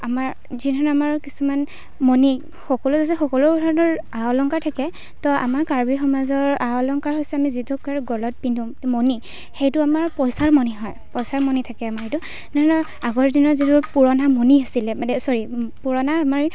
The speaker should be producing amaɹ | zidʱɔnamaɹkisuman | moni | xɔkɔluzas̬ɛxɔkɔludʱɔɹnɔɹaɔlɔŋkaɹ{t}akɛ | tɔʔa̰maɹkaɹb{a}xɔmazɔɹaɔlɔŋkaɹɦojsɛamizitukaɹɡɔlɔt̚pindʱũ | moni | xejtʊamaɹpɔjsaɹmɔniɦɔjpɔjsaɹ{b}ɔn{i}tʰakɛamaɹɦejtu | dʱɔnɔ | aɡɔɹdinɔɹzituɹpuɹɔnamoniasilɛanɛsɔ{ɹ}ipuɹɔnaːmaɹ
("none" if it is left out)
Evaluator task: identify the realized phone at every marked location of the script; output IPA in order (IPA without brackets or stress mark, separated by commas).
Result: tʰ, i, m, i, ɹ